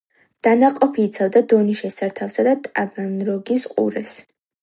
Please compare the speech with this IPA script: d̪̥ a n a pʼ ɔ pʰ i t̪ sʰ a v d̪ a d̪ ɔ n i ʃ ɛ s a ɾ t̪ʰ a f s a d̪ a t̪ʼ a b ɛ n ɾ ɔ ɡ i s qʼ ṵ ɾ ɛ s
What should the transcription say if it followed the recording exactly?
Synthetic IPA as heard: d̪̥ a n a qʼ ɔ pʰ iː t̪ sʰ a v d̪ a d̪ ɔ n i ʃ ɛ s a ɾ t̪ʰ a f s a d̪ a t̪ʼ a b a n ɾ ɔ ɡ i s qʼ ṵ ɾ ɛ s